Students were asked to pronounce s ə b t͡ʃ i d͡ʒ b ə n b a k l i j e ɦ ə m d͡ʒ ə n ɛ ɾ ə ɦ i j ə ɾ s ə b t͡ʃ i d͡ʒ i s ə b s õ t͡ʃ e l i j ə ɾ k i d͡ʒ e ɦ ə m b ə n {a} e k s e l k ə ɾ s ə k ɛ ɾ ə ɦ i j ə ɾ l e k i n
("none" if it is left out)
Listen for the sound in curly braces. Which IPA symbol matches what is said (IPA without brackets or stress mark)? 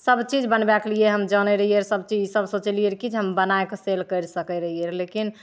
a